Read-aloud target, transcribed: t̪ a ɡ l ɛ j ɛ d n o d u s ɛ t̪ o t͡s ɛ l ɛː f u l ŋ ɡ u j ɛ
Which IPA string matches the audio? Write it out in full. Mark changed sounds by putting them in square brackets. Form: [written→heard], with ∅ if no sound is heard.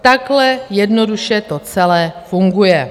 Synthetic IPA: t̪ a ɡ l ɛ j ɛ d n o d u [s→ʃ] ɛ t̪ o t͡s ɛ l ɛː f u [l→∅] ŋ ɡ u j ɛ